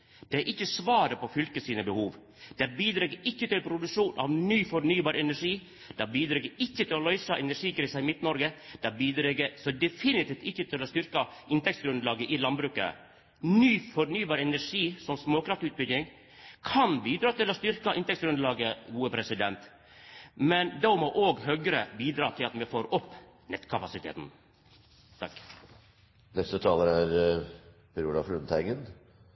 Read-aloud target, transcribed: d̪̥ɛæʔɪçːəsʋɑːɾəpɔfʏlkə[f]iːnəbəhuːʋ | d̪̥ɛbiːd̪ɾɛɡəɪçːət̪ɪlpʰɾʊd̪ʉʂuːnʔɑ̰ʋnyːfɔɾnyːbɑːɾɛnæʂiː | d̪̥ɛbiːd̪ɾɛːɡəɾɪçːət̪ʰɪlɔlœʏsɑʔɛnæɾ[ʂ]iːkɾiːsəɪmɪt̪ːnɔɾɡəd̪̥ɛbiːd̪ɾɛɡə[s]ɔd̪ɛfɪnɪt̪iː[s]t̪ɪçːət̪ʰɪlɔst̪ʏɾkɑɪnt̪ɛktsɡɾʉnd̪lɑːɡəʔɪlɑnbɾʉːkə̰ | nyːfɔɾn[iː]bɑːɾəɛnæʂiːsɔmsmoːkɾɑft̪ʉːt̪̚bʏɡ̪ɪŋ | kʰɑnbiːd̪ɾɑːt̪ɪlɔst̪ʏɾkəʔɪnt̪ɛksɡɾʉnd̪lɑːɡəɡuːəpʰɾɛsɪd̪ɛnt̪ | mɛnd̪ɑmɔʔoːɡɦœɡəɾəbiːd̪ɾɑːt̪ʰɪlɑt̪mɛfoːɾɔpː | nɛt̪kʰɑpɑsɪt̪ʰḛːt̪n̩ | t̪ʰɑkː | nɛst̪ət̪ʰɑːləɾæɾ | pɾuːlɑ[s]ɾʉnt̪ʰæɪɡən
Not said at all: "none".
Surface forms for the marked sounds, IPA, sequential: s, ʂ, s, f, yː, f

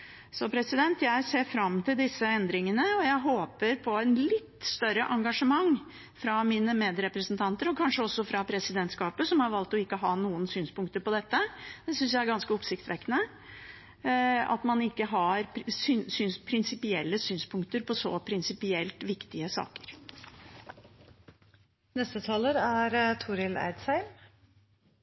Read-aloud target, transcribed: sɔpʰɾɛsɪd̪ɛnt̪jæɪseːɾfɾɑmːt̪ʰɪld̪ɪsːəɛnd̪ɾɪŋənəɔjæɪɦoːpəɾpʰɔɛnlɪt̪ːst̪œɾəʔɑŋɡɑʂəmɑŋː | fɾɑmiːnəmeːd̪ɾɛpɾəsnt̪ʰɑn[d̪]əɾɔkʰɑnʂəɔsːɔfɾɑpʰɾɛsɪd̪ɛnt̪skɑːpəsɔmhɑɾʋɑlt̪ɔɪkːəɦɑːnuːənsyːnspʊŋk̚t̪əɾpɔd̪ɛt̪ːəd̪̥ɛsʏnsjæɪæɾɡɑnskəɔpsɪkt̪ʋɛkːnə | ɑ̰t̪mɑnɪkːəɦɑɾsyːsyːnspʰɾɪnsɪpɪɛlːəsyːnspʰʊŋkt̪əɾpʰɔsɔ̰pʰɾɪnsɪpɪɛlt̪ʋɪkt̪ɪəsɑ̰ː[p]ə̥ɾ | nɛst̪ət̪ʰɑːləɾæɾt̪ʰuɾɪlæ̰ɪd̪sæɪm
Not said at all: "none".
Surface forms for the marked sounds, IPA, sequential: t̪, k

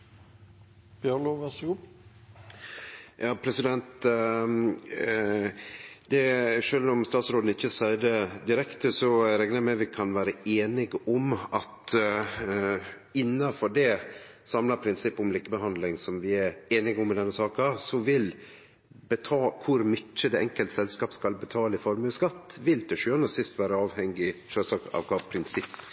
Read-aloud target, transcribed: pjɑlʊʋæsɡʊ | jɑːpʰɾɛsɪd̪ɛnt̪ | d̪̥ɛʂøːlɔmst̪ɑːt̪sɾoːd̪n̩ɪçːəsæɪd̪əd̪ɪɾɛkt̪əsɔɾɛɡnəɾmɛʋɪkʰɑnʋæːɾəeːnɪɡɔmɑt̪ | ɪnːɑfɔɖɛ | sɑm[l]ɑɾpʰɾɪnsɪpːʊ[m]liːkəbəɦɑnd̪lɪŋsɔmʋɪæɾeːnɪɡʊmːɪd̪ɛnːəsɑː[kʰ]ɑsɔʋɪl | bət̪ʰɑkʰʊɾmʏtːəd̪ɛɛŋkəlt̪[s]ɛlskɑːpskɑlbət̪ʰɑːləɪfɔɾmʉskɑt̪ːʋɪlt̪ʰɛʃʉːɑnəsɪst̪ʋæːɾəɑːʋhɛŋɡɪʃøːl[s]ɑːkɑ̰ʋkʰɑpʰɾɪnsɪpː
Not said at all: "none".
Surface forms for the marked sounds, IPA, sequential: l, m, k, s, s

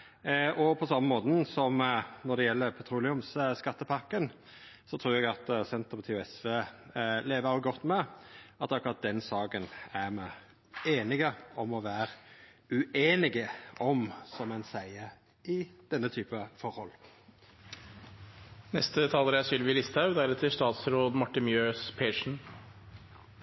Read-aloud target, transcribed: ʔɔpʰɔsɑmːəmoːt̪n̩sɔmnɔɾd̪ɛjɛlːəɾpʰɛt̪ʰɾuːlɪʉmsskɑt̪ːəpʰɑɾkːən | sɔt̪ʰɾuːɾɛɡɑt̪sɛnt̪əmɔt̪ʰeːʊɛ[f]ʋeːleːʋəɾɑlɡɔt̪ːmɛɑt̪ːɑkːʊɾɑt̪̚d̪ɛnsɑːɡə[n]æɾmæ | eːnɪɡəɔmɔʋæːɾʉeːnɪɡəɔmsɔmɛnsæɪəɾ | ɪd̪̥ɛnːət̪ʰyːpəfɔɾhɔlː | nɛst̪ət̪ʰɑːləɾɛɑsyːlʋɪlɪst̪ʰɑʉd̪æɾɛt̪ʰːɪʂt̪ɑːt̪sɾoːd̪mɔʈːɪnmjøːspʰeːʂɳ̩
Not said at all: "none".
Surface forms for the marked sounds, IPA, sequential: s, n

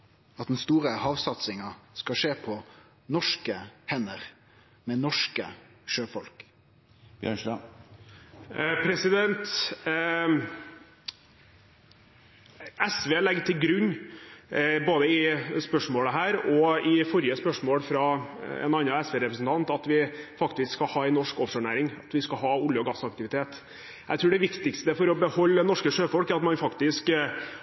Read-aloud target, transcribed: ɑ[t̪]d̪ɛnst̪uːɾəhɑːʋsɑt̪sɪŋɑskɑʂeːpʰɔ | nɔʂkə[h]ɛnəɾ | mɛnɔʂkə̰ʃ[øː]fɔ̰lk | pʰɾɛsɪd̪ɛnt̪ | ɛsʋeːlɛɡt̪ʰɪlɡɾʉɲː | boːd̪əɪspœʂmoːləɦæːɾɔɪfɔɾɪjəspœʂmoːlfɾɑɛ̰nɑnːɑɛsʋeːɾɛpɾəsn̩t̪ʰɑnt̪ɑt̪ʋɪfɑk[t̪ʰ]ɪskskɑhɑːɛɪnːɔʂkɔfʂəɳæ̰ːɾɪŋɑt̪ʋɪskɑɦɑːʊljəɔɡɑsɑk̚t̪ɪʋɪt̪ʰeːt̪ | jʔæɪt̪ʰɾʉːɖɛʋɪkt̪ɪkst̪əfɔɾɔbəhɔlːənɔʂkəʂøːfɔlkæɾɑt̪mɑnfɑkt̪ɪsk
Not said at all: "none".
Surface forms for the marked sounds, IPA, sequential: t̪, h, øː, t̪

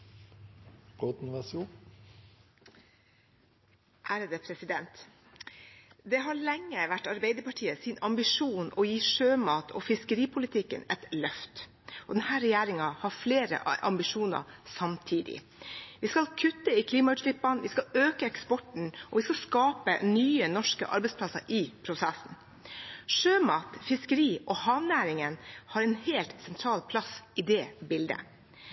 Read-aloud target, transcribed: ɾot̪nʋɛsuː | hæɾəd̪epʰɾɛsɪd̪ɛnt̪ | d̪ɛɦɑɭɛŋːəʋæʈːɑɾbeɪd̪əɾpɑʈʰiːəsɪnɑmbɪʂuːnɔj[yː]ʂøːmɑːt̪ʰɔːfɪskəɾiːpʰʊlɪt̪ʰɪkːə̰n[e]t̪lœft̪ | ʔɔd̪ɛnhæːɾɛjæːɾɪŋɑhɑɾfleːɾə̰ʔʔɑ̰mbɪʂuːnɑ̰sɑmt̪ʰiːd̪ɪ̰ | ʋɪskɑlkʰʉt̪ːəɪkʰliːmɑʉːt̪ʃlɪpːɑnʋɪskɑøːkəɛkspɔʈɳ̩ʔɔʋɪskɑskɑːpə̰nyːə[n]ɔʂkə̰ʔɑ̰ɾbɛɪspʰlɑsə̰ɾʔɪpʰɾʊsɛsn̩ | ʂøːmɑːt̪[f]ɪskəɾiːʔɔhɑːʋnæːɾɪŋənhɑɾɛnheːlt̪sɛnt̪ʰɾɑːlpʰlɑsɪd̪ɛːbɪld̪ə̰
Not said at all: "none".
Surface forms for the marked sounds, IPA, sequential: iː, ɛ, n, f

